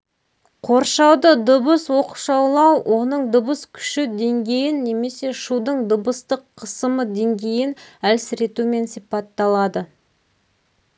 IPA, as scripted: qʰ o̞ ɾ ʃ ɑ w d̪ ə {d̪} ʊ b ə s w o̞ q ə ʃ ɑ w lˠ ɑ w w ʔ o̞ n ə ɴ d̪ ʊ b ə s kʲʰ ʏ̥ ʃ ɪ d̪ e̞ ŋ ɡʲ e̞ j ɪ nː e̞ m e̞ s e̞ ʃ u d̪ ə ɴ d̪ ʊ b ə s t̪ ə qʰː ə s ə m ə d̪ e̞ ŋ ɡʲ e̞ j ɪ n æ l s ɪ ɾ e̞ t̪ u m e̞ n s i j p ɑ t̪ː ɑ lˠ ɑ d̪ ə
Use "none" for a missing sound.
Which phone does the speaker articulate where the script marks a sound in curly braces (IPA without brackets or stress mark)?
d̪